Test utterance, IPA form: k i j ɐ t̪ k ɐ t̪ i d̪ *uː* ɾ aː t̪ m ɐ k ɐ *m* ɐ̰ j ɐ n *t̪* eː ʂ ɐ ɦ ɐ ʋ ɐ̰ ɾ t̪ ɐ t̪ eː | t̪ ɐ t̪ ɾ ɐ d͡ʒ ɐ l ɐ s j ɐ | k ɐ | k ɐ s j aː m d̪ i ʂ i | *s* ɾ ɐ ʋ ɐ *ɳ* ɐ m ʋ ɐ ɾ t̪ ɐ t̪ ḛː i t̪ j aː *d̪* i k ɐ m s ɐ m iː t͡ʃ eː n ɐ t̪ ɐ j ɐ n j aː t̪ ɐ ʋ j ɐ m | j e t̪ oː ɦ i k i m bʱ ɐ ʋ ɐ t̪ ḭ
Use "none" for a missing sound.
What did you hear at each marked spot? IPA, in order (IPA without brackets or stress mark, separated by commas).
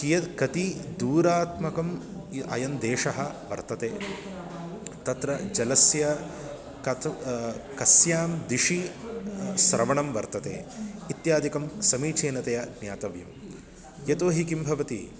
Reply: uː, m, d̪, s, ɳ, d̪